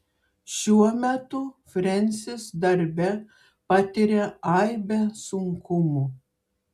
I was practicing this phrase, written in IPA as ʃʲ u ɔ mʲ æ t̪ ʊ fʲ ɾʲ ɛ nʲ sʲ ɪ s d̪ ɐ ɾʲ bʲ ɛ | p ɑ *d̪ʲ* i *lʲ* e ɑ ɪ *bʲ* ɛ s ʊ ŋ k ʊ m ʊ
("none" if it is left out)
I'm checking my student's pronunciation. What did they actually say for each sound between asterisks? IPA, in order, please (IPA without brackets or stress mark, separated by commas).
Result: t̪ʲ, ɾʲ, bʲ